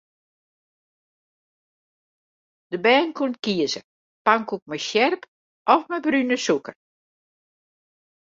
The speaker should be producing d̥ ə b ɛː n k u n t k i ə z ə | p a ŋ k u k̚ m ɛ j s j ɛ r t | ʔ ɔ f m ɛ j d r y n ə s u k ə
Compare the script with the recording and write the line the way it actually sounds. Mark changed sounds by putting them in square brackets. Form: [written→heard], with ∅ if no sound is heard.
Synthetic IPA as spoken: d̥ ə b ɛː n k u n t k i ə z ə | p a ŋ k u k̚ m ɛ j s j ɛ r [t→p] | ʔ ɔ f m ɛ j [d→b] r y n ə s u k ə